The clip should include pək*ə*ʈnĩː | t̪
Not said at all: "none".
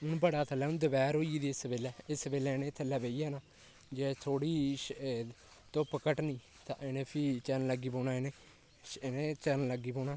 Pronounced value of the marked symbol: ə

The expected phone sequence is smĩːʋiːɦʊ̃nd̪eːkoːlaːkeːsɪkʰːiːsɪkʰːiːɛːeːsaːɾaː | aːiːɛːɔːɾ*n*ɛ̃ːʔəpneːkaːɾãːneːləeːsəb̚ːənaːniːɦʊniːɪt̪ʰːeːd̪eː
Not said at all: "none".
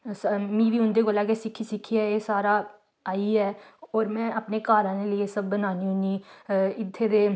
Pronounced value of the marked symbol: m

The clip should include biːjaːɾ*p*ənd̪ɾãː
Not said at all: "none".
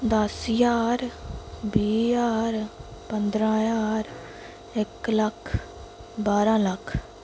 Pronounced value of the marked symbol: p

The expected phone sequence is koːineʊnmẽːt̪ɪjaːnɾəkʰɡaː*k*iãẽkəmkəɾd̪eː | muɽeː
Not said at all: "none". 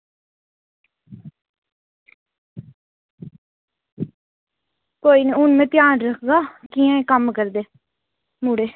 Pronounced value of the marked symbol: k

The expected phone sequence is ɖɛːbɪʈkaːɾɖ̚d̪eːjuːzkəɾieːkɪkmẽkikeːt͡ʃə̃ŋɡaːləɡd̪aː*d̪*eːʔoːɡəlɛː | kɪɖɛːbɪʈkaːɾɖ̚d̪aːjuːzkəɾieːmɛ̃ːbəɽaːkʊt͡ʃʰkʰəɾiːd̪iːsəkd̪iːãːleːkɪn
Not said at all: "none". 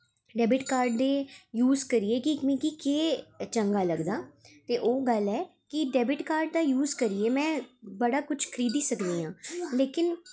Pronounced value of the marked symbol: t̪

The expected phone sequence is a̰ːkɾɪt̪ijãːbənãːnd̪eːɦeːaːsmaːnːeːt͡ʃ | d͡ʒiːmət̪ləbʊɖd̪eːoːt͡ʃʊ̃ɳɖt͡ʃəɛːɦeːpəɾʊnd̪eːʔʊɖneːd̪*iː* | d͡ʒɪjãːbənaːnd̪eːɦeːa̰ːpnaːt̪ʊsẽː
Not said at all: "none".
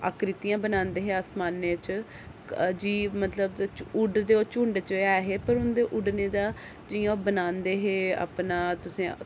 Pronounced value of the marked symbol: aː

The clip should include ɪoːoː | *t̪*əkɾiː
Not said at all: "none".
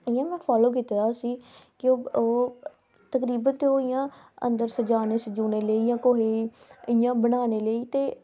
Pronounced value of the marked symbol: t̪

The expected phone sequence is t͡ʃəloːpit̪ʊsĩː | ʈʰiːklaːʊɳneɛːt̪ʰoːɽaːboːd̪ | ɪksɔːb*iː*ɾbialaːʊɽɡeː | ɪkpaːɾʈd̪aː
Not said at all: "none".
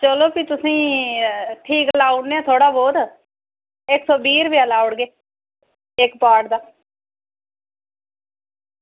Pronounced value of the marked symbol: iː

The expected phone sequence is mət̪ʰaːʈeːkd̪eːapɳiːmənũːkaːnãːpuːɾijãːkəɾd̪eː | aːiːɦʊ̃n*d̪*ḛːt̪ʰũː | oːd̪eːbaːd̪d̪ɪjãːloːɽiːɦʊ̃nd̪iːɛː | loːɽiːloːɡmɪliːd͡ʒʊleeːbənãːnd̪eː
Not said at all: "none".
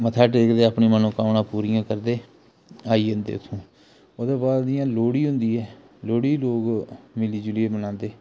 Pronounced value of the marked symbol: d̪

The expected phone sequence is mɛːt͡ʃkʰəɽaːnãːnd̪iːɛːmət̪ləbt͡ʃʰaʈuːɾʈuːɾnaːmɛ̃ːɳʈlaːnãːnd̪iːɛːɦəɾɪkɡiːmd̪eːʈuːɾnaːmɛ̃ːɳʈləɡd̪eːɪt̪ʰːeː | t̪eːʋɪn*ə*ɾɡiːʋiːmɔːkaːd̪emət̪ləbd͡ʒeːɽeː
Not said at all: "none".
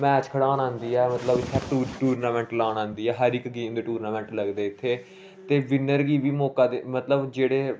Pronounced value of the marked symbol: ə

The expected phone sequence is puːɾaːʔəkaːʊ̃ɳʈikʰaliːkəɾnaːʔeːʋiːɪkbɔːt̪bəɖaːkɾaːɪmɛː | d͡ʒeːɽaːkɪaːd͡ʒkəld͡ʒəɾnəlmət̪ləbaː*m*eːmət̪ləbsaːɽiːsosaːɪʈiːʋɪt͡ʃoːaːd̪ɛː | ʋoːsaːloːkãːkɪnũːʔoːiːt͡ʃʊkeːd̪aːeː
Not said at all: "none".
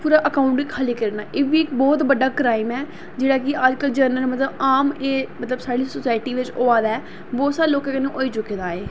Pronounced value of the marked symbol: m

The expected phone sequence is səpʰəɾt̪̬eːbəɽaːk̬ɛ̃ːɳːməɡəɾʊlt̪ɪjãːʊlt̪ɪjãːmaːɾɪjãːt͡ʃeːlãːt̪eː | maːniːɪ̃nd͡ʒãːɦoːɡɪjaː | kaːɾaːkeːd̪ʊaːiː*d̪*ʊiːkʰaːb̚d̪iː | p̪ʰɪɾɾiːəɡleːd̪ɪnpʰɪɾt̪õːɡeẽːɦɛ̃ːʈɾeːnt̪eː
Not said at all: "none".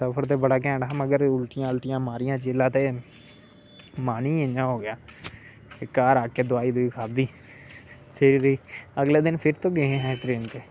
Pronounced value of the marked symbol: d̪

